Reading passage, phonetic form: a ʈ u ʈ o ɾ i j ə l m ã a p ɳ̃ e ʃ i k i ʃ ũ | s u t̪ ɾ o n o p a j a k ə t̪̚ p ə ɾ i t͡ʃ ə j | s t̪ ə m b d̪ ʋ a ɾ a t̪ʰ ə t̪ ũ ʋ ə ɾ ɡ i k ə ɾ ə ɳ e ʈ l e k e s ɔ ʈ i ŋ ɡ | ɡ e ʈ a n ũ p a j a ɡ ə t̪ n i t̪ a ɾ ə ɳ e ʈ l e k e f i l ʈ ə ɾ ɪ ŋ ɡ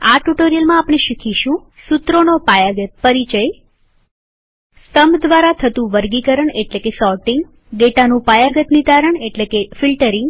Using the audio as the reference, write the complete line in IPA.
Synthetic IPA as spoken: a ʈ u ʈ o ɾ i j ə l m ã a p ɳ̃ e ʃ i kʰ i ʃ ũ | s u t̪ ɾ o n o p a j a ɡ ə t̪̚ p ə ɾ i t͡ʃ ə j | s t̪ ə m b d̪ ʋ a ɾ a t̪ʰ ə t̪ ũ ʋ ə ɾ ɡ i k ə ɾ ə ɳ e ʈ l e k e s ɔ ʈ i ŋ ɡ | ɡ e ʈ a n ũ p a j a ɡ ə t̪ n i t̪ a ɾ ə ɳ e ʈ l e k e f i l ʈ ə ɾ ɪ ŋ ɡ